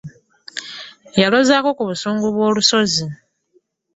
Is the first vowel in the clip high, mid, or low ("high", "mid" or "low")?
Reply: low